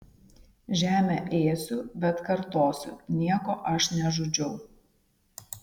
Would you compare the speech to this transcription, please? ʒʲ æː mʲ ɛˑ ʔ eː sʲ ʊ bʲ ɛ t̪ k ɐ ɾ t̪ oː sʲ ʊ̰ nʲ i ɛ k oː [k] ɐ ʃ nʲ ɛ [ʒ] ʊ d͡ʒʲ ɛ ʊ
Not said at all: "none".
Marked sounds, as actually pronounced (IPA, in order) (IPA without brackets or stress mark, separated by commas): ʔ, ʒ